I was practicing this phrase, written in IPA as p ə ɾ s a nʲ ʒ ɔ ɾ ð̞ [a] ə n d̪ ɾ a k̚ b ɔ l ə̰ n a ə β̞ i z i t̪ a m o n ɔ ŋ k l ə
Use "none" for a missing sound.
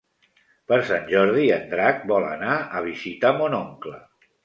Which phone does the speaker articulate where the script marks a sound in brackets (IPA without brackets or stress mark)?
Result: i